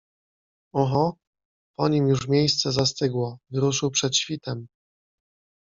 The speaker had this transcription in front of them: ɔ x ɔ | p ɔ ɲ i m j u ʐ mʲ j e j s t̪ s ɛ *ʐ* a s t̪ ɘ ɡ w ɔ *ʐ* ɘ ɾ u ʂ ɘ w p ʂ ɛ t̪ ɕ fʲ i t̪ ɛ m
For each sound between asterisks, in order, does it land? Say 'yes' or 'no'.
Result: no, no

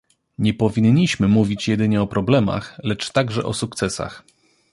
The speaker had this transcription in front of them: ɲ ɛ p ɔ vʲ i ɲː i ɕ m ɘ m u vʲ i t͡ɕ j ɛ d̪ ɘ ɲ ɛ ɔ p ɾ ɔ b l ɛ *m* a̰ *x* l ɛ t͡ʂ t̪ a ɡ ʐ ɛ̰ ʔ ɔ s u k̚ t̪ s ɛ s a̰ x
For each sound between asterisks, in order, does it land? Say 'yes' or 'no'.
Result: yes, yes

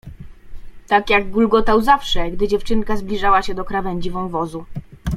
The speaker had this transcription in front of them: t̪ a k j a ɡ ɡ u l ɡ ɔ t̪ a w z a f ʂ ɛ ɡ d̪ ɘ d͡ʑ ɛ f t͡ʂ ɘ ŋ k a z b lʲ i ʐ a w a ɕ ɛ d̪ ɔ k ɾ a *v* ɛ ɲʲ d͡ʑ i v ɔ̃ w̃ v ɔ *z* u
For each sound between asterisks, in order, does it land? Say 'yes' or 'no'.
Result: yes, yes

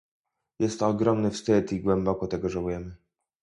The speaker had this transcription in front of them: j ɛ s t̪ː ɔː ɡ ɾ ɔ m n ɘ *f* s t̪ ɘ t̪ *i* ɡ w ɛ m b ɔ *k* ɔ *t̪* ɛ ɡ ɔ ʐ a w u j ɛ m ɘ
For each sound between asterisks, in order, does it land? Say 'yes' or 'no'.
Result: yes, yes, yes, yes

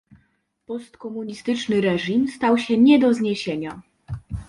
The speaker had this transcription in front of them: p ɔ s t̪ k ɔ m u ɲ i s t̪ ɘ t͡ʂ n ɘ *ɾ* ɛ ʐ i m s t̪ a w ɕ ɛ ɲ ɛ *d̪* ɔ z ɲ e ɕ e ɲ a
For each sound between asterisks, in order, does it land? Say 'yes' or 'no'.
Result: yes, yes

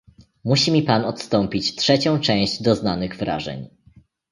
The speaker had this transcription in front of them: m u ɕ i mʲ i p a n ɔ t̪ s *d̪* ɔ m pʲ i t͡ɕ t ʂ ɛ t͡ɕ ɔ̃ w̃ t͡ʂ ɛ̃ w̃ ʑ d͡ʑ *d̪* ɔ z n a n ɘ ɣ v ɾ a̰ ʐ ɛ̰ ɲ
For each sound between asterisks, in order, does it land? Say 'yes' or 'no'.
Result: no, yes

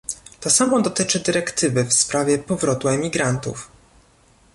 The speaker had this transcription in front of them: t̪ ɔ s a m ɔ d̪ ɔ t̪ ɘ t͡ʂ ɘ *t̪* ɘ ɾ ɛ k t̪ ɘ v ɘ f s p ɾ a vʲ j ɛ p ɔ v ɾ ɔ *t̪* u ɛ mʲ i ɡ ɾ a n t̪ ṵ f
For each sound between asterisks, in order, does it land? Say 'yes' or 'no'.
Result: no, yes

